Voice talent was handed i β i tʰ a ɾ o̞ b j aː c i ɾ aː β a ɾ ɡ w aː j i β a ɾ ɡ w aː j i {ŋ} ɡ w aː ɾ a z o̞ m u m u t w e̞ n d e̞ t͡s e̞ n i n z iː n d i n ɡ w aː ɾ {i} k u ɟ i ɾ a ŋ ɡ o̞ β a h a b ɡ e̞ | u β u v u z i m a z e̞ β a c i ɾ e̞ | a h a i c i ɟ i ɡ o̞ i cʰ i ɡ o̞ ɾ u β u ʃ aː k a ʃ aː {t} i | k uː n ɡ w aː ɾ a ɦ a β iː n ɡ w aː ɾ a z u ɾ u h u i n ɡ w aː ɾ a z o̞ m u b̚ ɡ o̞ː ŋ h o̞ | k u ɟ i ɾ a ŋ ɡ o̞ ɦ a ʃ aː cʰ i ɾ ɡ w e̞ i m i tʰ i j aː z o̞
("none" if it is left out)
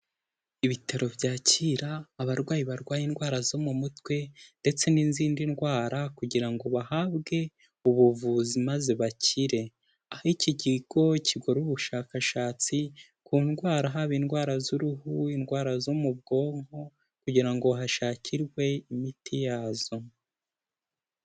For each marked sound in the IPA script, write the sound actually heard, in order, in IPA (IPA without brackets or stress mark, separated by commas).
n, a, t͡s